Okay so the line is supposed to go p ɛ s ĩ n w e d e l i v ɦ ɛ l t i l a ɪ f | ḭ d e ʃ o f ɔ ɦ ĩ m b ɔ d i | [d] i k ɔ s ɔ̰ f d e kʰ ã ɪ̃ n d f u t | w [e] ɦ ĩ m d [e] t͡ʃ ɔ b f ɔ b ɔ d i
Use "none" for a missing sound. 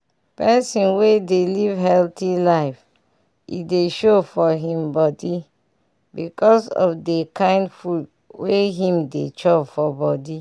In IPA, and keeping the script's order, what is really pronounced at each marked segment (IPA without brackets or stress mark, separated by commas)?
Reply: b, e, e